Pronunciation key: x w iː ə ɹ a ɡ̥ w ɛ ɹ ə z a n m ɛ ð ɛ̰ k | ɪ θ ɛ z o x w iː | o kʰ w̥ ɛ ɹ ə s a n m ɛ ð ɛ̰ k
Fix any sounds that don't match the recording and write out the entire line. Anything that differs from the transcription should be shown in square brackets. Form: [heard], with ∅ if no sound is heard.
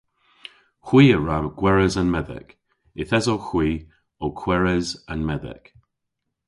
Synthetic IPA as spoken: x w iː ə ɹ a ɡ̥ w ɛ ɹ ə z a n m ɛ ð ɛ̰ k | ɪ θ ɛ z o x w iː | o kʰ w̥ ɛ ɹ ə [z] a n m ɛ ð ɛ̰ k